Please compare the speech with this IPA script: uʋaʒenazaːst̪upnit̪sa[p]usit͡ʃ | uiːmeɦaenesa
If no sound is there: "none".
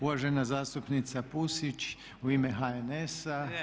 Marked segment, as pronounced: p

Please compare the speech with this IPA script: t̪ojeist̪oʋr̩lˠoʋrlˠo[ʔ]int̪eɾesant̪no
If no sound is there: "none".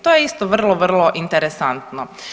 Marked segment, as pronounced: ʔ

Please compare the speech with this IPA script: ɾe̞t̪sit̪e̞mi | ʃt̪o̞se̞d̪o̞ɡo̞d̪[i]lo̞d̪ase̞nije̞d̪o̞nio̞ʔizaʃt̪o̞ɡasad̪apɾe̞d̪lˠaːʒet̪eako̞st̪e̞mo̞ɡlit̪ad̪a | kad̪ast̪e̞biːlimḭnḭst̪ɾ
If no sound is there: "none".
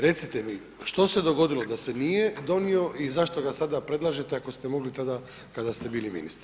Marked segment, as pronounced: i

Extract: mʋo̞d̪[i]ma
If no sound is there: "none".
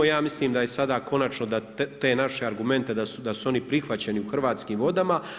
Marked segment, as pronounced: a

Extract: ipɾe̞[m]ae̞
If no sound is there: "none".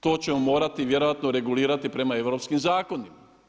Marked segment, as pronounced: m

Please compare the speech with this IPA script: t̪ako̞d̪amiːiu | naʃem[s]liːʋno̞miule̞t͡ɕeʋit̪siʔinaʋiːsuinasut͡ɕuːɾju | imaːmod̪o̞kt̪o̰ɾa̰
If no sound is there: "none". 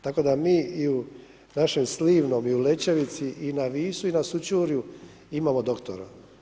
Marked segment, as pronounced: s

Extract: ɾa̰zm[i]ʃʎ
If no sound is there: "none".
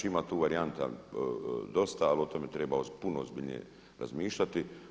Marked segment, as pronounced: iː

